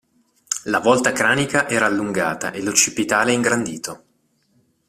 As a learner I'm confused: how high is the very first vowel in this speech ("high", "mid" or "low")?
low